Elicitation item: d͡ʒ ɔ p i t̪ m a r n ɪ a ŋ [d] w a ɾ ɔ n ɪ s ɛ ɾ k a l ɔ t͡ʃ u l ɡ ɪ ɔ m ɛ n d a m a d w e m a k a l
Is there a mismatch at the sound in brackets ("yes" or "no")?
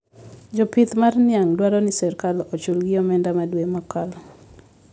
no